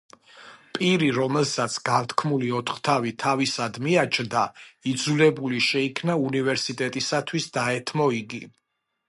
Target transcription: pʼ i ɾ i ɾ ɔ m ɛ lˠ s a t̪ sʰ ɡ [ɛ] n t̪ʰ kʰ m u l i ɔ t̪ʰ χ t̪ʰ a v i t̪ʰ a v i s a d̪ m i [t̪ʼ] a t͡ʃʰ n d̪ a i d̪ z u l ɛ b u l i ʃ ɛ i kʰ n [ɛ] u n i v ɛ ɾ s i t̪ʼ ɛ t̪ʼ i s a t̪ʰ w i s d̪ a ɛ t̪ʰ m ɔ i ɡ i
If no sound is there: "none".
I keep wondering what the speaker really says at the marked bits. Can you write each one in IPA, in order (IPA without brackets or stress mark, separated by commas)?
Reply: a, none, a